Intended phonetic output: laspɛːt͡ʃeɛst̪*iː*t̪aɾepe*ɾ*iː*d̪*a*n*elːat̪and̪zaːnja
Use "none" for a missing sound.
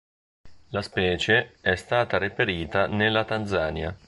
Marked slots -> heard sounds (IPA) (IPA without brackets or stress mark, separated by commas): aː, ɾ, t̪, n